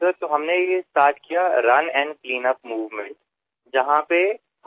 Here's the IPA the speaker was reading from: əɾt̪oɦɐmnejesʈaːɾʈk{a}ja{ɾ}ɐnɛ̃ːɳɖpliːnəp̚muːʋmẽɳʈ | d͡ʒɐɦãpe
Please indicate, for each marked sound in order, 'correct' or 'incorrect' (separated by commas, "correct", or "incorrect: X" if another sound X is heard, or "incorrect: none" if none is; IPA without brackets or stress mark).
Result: incorrect: i, correct